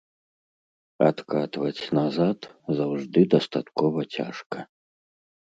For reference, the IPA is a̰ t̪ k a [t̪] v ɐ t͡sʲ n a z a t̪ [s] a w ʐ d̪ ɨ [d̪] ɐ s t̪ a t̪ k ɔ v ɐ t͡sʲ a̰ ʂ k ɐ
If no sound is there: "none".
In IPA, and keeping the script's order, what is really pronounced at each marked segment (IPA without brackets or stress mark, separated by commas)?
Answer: t̪, z, d̪